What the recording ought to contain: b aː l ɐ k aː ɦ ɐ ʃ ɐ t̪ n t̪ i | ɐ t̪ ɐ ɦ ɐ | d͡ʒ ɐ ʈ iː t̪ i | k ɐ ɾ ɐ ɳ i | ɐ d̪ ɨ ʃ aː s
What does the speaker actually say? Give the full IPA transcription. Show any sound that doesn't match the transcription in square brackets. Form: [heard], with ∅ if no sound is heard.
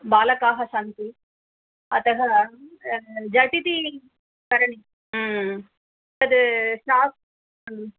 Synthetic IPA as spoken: b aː l ɐ k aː ɦ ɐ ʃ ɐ [∅] n t̪ i | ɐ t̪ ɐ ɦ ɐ | d͡ʒ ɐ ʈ [i] t̪ i | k ɐ ɾ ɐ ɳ i | ɐ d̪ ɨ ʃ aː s